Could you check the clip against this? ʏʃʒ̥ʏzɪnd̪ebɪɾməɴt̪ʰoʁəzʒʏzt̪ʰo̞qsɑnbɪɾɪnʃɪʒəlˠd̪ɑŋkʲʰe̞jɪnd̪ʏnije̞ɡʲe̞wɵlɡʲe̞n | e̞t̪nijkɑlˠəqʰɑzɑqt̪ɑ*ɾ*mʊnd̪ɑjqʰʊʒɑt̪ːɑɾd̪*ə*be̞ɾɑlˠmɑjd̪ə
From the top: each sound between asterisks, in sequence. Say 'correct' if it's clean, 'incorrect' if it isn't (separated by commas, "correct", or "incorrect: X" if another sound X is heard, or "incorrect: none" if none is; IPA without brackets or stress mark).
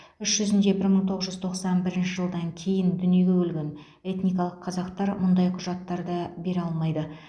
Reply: correct, incorrect: ɑ